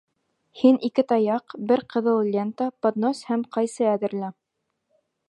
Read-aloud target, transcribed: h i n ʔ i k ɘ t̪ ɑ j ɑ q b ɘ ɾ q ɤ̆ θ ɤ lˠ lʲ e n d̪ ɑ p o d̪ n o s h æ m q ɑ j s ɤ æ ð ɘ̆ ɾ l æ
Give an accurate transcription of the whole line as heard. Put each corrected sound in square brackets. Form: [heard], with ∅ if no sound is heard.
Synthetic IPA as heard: h i n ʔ i k ɘ t̪ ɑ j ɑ q b ɘ ɾ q ɤ̆ [ð] ɤ lˠ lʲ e n [t̪] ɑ p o d̪ n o s h æ m q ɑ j s ɤ æ ð ɘ̆ ɾ l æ

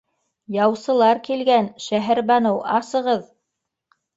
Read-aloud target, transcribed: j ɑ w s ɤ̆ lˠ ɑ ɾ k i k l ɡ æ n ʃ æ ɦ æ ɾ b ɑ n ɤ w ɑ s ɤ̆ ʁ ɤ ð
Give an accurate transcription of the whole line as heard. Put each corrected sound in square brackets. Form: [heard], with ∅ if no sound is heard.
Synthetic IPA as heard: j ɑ w s ɤ̆ lˠ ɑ ɾ k i [∅] l ɡ æ n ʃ æ ɦ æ ɾ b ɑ n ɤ w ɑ s ɤ̆ ʁ ɤ ð

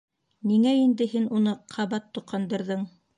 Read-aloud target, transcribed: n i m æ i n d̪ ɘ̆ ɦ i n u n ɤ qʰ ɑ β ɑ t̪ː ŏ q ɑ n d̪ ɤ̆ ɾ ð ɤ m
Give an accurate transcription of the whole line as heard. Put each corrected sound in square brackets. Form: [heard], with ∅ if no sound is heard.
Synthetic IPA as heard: n i [ŋ] æ i n d̪ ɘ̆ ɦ i n u n ɤ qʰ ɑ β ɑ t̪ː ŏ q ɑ n d̪ ɤ̆ ɾ ð ɤ [ɴ]

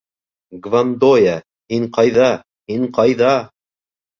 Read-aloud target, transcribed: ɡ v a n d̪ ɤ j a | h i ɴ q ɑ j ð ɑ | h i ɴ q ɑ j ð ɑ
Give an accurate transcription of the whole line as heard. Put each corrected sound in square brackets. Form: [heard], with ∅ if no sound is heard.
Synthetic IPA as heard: ɡ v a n d̪ [o] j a | h i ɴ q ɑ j ð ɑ | h i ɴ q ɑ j ð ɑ

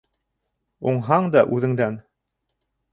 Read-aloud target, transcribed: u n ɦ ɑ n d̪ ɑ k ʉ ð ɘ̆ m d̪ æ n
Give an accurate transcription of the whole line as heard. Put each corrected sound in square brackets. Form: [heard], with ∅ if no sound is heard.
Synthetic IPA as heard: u [ɴ] ɦ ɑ [ɴ] d̪ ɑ [ʔ] ʉ ð ɘ̆ [ŋ] d̪ æ n

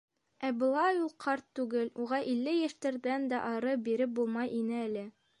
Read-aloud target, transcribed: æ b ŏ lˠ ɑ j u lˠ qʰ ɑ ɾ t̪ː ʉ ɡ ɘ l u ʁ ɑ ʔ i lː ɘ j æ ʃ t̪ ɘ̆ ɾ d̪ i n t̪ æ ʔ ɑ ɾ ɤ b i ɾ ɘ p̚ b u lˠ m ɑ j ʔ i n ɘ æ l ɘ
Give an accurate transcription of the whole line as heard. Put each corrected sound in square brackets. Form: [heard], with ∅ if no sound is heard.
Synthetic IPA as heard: æ b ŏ lˠ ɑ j u lˠ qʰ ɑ ɾ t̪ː ʉ ɡ ɘ l u ʁ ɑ ʔ i lː ɘ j æ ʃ t̪ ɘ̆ ɾ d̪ [æ] n [d̪] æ ʔ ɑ ɾ ɤ b i ɾ ɘ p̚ b u lˠ m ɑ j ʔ i n ɘ æ l ɘ

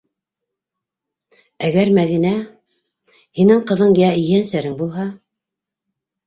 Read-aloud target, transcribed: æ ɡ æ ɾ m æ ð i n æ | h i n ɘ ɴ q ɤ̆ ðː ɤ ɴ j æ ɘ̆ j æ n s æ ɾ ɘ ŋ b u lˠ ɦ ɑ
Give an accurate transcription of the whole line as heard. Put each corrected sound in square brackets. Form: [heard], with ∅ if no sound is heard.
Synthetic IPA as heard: æ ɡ æ ɾ m æ ð i n æ | h i n ɘ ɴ q ɤ̆ [ð] ɤ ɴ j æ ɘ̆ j æ n s æ ɾ ɘ ŋ b u lˠ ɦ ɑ

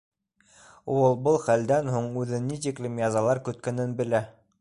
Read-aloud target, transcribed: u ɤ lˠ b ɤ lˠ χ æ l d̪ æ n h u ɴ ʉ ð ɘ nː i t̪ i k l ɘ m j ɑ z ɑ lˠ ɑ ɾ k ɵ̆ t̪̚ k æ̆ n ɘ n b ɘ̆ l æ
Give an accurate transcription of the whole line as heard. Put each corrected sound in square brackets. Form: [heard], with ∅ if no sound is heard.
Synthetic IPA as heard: u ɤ lˠ b ɤ lˠ χ æ l d̪ æ n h u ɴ ʉ ð ɘ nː i t̪ i k l ɘ m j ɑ z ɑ lˠ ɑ ɾ k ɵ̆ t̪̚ k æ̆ n ɘ n b ɘ̆ l æ

